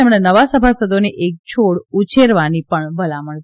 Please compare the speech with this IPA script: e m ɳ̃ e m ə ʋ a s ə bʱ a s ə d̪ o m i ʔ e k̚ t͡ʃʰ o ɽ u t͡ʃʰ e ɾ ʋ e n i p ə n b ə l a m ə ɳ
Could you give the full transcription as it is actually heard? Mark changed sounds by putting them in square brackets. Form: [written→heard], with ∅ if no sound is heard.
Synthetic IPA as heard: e m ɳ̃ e [m→n] ə ʋ a s ə bʱ a s ə d̪ o [m→n] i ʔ e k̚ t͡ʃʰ o ɽ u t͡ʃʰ e ɾ ʋ [e→a] n i p ə [n→ɳ] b ə l a m ə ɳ